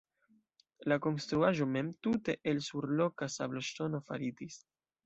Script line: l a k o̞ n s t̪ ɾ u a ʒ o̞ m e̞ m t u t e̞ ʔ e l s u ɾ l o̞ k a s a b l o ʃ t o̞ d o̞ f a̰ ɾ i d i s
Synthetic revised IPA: l a k o̞ n s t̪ ɾ u a ʒ o̞ m e̞ m t u t e̞ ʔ e l s u ɾ l o̞ k a s a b l o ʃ t o̞ n o̞ f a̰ ɾ i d i s